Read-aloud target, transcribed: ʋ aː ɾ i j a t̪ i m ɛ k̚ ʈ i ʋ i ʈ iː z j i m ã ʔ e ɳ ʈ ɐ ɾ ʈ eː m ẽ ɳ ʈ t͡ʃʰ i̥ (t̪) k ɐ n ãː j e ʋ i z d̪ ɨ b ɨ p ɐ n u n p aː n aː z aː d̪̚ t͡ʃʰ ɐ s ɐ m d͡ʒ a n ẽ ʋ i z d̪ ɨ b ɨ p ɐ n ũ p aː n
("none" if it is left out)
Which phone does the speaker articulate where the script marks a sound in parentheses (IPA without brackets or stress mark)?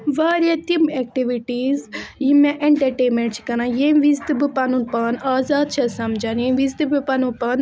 none